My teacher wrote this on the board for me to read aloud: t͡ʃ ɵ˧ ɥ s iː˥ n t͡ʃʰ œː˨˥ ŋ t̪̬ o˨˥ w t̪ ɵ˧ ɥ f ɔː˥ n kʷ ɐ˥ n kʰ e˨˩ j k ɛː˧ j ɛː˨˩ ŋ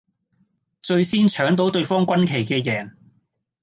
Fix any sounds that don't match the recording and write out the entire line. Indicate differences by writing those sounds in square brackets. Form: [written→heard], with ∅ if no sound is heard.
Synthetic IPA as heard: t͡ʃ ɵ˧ ɥ s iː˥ n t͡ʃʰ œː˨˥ ŋ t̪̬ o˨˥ w t̪ ɵ˧ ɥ f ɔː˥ [n→ŋ] kʷ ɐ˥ n kʰ e˨˩ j k ɛː˧ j ɛː˨˩ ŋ